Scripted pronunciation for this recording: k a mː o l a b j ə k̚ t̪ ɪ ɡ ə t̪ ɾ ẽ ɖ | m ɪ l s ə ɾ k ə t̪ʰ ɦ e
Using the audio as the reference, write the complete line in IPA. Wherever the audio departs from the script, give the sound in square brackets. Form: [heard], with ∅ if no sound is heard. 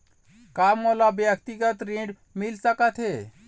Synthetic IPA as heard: k a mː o l a b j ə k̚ t̪ [i] ɡ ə t̪ ɾ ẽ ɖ | m [i] l s ə [∅] k ə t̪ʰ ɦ e